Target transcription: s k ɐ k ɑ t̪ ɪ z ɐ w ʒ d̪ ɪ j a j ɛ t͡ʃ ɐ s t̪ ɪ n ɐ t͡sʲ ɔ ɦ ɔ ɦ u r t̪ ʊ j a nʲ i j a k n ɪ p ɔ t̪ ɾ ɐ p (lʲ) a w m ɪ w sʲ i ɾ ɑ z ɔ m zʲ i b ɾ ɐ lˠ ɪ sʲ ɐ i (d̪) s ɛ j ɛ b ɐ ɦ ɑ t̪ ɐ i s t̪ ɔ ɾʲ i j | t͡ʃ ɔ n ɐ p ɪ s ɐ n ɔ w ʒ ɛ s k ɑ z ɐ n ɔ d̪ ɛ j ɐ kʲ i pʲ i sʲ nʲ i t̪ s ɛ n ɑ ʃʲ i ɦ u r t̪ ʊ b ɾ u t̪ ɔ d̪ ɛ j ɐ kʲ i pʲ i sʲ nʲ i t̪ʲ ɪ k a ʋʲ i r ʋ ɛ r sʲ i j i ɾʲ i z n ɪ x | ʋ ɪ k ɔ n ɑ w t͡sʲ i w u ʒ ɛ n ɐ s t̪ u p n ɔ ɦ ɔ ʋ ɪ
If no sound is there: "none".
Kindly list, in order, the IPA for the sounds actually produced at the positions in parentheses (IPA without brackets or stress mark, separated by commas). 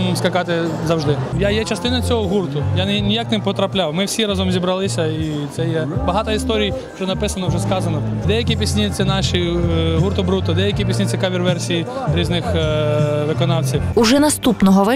lʲ, t̪